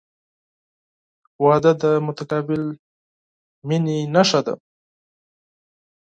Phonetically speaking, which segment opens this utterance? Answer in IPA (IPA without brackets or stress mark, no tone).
w